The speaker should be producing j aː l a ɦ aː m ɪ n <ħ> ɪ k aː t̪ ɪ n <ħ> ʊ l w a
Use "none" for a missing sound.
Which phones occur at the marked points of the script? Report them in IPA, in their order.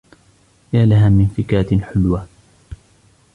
f, ħ

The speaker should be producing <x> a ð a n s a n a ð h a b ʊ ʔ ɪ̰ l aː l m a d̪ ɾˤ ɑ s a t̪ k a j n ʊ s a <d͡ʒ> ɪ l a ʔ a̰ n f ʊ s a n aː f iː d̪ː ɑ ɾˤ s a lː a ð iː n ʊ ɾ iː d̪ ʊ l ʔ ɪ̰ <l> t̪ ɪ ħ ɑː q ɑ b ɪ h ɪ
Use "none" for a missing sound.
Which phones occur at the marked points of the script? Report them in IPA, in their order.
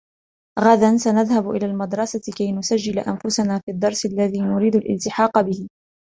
ɣ, d͡ʒː, l

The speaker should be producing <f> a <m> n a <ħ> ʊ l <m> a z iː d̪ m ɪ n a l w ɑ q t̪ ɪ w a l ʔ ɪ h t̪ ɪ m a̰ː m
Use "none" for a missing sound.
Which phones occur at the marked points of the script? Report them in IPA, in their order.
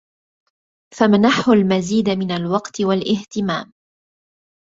f, m, ħ, m

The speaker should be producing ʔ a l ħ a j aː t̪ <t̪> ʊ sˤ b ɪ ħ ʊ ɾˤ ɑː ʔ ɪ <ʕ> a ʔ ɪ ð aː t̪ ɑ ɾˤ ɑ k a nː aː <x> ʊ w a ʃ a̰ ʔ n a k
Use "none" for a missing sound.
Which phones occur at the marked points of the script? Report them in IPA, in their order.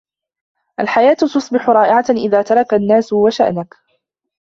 t̪, ʕ, s

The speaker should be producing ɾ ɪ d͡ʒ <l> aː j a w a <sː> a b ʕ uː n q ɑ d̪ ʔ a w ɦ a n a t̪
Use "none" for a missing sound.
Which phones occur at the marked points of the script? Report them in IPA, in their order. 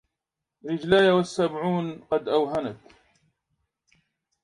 l, sː

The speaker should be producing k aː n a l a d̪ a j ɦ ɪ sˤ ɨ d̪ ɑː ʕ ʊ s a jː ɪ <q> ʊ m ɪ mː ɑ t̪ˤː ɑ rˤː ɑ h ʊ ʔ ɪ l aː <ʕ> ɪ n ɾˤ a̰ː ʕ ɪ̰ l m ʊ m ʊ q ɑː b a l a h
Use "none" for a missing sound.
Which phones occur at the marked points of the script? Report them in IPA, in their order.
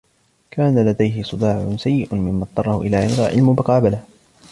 ʔ, ʕ

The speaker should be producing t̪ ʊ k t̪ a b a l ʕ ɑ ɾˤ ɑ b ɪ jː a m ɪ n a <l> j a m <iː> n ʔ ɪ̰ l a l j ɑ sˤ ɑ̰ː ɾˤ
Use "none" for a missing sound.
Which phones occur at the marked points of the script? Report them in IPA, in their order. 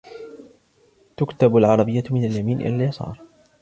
l, iː

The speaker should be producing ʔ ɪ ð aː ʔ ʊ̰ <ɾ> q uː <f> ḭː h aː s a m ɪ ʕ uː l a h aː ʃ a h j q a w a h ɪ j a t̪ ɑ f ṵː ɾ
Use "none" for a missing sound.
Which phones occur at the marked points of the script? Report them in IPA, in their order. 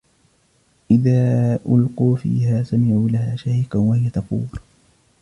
l, f

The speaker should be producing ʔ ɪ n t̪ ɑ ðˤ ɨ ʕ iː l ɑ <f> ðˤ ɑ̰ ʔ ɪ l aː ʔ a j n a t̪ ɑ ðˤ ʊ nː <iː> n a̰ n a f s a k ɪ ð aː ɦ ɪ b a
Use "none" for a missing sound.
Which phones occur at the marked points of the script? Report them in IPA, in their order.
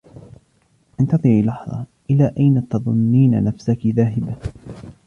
ħ, iː

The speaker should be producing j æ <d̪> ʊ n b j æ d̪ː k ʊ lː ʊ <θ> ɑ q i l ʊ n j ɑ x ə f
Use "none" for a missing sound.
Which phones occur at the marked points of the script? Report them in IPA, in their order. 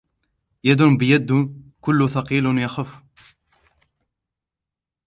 d̪, θ

